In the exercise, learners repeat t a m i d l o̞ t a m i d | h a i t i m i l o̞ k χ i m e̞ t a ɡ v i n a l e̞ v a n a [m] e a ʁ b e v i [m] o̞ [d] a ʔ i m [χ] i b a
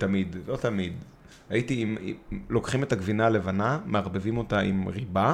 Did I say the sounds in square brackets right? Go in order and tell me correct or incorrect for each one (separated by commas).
correct, correct, incorrect, incorrect